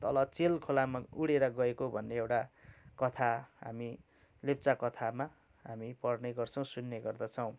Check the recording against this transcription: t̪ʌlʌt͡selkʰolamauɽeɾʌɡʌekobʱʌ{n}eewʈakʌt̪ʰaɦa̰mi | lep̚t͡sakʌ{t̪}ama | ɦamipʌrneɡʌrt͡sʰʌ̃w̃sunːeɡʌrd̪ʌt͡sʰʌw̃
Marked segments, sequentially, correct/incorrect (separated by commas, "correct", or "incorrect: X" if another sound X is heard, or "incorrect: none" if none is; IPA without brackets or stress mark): incorrect: nː, incorrect: t̪ʰ